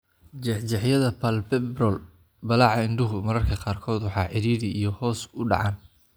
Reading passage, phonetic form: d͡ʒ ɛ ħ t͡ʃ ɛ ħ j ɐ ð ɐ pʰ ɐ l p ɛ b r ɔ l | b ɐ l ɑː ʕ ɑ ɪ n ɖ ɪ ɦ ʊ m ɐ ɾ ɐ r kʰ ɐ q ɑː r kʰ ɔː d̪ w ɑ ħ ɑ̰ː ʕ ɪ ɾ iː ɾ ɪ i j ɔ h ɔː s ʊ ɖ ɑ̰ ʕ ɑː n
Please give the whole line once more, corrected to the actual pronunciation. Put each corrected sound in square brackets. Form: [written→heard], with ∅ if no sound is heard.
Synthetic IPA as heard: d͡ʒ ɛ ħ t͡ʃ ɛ ħ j ɐ ð ɐ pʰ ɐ l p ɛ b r ɔ l | b ɐ l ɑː ʕ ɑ ɪ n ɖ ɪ ɦ ʊ m ɐ ɾ ɐ r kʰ ɐ q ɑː r kʰ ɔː d̪ w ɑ ħ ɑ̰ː ʕ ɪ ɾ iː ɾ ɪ i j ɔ h ɔː s ʊ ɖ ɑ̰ ʕ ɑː n